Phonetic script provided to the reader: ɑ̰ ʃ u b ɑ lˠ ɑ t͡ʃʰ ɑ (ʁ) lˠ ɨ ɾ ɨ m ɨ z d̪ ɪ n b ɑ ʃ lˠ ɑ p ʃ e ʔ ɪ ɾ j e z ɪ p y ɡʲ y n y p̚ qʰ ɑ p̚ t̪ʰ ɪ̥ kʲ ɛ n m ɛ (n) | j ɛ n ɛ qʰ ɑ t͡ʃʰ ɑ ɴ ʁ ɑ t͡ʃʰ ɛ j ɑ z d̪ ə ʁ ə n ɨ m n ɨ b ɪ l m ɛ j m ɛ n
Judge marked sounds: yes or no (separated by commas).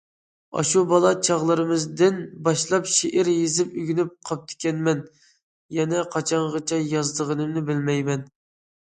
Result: yes, yes